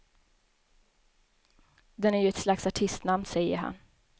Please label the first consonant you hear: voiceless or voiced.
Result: voiced